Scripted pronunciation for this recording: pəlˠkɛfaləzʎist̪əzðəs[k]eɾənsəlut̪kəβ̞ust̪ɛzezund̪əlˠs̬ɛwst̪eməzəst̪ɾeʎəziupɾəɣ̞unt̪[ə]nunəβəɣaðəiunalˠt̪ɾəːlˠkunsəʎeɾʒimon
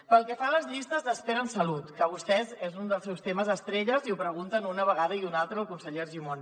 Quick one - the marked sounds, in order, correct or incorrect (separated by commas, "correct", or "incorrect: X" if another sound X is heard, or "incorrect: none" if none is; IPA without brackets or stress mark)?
incorrect: p, correct